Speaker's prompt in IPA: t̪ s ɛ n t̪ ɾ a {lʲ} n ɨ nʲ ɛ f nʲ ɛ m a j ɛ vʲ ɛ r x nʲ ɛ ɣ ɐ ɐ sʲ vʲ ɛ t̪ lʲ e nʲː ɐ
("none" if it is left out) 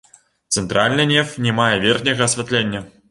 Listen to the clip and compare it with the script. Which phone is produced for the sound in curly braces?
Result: lʲ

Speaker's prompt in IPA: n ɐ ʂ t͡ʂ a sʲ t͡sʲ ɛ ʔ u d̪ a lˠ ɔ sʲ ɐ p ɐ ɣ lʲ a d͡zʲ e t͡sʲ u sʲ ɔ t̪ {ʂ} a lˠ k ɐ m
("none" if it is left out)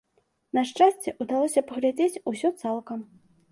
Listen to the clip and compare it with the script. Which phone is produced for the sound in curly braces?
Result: s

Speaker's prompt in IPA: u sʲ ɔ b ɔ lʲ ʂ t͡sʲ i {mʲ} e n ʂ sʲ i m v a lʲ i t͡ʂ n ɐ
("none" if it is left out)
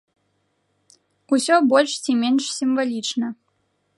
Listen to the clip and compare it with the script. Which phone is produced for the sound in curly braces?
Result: mʲ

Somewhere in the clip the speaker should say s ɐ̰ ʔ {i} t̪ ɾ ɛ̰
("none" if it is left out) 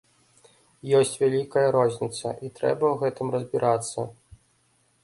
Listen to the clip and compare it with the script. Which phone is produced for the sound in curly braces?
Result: i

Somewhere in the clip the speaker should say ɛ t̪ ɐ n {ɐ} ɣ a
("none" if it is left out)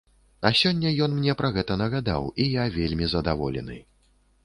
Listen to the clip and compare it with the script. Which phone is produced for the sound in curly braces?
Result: ɐ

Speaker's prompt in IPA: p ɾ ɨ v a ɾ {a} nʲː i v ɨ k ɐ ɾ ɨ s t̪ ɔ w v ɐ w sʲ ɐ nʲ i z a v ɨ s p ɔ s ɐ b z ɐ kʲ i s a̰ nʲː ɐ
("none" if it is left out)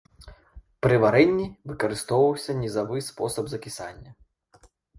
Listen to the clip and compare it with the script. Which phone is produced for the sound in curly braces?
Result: ɛ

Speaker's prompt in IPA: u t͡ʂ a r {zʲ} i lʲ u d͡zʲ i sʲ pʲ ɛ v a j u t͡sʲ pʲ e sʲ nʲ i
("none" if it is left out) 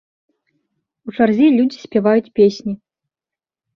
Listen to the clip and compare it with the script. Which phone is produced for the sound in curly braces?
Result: zʲ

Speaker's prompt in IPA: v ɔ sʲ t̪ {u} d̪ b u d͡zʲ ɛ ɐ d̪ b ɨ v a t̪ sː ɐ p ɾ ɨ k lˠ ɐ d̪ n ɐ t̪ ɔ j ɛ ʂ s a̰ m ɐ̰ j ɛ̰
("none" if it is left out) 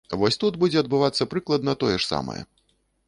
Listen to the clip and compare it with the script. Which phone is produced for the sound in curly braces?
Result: u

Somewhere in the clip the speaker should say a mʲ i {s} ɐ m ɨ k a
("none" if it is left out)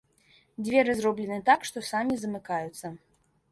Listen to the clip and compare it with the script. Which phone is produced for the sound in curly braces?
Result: z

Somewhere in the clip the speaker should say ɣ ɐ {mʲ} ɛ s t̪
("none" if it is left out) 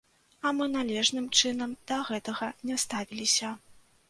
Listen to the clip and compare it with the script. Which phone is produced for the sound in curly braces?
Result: nʲ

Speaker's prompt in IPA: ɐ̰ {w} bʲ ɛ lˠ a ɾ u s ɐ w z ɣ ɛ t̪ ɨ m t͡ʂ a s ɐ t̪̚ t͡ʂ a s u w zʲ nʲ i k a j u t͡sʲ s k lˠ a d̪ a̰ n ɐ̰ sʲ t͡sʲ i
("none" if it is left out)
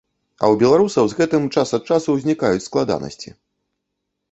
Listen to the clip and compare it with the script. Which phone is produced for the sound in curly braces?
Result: w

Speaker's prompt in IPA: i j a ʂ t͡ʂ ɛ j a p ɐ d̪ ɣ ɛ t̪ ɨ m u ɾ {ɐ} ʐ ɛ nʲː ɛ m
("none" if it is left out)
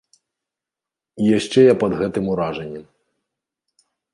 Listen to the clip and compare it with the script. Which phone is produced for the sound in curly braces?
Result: a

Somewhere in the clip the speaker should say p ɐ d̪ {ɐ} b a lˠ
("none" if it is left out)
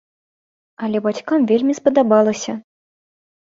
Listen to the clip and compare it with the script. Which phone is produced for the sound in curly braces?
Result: a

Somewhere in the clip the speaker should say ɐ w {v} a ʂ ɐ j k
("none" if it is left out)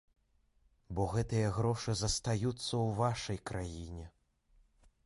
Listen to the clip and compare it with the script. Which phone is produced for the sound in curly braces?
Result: v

